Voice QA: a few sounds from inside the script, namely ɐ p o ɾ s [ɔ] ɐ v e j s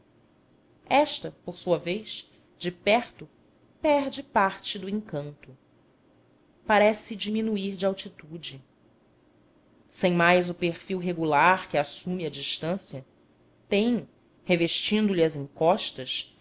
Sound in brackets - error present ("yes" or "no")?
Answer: yes